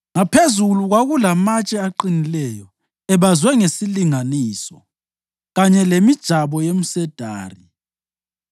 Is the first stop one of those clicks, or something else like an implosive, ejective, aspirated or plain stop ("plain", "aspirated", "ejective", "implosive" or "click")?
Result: aspirated